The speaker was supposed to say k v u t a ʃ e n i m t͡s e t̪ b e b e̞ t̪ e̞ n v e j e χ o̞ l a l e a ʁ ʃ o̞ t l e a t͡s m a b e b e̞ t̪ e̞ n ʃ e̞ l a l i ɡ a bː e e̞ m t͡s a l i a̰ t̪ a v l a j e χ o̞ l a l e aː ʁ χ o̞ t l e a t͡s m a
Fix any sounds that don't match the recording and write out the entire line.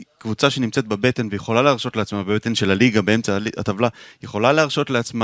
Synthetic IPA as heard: k v u t͡s a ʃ e n i m t͡s e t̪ b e b e̞ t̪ e̞ n v e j e χ o̞ l a l e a ʁ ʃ o̞ t l e a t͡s m a b e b e̞ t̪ e̞ n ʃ e̞ l a l i ɡ a b e e̞ m t͡s a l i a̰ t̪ a v l a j e χ o̞ l a l e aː ʁ ʃ o̞ t l e a t͡s m a